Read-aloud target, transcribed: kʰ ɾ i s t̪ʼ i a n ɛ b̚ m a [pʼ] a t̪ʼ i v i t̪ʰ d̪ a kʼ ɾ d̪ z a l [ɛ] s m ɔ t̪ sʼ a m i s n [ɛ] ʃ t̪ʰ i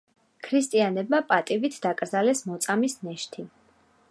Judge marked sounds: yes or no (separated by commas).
yes, yes, yes